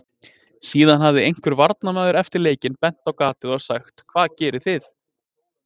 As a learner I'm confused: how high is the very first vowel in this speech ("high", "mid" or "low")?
high